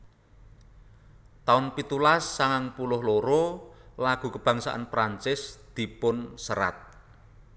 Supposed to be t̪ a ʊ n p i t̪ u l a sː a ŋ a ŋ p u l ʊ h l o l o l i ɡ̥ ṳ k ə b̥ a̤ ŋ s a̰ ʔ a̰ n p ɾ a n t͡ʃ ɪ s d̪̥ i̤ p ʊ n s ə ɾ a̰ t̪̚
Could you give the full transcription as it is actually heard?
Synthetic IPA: t̪ a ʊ n p i t̪ u l a sː a ŋ a ŋ p u l ʊ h l o ɾ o l a ɡ̥ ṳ k ə b̥ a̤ ŋ s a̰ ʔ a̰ n p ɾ a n t͡ʃ ɪ s d̪̥ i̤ p ʊ n s ə ɾ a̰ t̪̚

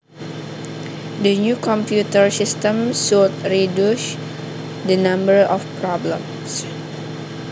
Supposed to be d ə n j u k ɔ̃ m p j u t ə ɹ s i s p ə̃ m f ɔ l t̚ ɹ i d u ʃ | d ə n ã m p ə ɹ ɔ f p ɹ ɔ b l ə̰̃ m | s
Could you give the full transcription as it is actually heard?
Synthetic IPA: d ə n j u k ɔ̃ m p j u t ə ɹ s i s t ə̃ m s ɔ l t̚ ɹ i d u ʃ | d ə n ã m b ə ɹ ɔ f p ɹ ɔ b l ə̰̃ m | s

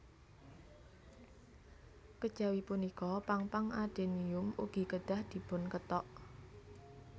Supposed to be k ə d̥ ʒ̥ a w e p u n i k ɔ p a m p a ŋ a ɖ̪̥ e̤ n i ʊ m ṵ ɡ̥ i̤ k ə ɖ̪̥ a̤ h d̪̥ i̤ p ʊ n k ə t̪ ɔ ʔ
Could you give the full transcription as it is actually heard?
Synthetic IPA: k ə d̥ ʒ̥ a w i p u n i k ɔ p a ŋ p a ŋ a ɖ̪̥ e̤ n i ʊ m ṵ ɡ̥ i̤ k ə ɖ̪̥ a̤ h d̪̥ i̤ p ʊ n k ə t̪ ɔ ʔ

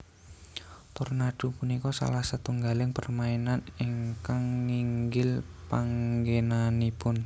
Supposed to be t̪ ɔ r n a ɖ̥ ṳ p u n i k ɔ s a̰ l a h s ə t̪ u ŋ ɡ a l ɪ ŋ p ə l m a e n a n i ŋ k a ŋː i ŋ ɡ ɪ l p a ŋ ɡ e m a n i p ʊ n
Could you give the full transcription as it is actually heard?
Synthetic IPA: t̪ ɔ r n a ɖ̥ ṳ p u n i k ɔ s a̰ l a h s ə t̪ u ŋ ɡ a l ɪ ŋ p ə r m a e n a n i ŋ k a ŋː i ŋ ɡ ɪ l p a ŋ ɡ e n a n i p ʊ n

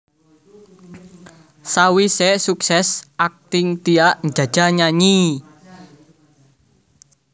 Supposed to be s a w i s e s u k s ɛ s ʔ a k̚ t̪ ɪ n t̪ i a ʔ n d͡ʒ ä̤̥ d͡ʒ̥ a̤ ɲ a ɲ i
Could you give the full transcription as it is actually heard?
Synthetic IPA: s a w i s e s u k s ɛ s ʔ a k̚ t̪ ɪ ŋ t̪ i a ʔ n d͡ʒ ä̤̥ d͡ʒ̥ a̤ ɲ a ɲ i

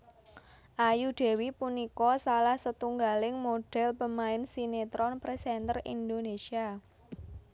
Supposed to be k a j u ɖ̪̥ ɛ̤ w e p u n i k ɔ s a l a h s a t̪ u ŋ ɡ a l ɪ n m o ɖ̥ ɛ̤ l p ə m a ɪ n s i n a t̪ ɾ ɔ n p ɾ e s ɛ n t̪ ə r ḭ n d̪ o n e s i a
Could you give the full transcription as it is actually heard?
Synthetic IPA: ʔ a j u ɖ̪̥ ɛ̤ w i p u n i k ɔ s a l a h s ə t̪ u ŋ ɡ a l ɪ ŋ m o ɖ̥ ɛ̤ l p ə m a ɪ n s i n e t̪ ɾ ɔ n p ɾ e s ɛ n t̪ ə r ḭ n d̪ o n e s i a

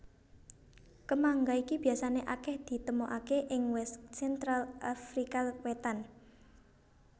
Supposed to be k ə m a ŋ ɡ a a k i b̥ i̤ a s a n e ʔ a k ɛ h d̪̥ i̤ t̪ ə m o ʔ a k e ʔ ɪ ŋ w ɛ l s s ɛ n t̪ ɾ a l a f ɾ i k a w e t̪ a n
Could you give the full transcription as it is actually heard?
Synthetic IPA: k ə m a ŋ ɡ a i k i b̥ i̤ a s a n e ʔ a k ɛ h d̪̥ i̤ t̪ ə m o ʔ a k e ʔ ɪ ŋ w ɛ s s ɛ n t̪ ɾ a l a f ɾ i k a w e t̪ a n

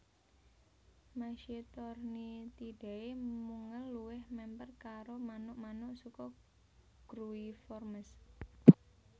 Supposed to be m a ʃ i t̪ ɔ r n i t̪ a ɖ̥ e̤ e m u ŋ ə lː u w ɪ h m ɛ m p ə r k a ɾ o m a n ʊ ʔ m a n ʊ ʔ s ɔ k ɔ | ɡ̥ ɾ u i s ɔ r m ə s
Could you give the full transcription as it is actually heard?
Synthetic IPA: m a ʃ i t̪ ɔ r n i t̪ i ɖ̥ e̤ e m u ŋ ə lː u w ɪ h m ɛ m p ə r k a ɾ o m a n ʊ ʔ m a n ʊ ʔ s u k ɔ | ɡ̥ ɾ u i f ɔ r m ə s

